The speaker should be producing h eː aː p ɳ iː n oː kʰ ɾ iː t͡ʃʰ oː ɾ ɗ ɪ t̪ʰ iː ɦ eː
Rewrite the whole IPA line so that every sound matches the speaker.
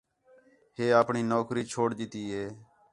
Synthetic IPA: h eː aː p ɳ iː n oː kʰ ɾ iː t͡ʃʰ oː ɽ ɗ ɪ t̪ iː ɦ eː